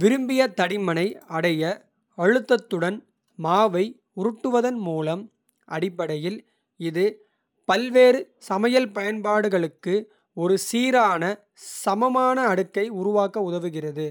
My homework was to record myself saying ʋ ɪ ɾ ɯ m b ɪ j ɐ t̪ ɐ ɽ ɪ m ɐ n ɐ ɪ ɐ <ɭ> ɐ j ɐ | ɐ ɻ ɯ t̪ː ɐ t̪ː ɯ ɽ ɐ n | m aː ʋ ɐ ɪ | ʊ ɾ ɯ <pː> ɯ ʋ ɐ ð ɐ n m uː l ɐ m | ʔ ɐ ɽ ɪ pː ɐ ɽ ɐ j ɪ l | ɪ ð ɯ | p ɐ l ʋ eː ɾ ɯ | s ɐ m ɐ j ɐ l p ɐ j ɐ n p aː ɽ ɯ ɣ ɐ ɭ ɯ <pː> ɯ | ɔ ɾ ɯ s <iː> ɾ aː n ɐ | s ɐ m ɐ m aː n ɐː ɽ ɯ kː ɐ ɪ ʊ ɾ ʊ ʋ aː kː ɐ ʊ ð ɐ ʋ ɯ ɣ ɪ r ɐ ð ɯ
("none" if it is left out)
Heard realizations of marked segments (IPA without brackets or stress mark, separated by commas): ɽ, ʈː, kː, iː